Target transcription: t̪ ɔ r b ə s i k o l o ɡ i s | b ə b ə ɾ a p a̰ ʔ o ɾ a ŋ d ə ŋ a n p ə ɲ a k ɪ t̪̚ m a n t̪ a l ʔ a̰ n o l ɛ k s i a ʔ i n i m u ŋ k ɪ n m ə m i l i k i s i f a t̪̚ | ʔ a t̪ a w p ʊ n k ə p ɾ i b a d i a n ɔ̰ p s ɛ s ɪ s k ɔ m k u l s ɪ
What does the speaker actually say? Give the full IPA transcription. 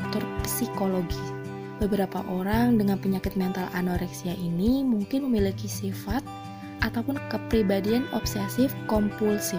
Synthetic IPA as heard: t̪ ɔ r p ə s i k o l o ɡ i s | b ə b ə ɾ a p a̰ ʔ o ɾ a ŋ d ə ŋ a n p ə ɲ a k ɪ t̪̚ m ɛ n t̪ a l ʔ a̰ n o ɾ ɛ k s i a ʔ i n i m u ŋ k ɪ n m ə m i l i k i s i f a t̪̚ | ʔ a t̪ a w p ʊ n k ə p ɾ i b a d i a n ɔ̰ p s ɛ s ɪ f k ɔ m p u l s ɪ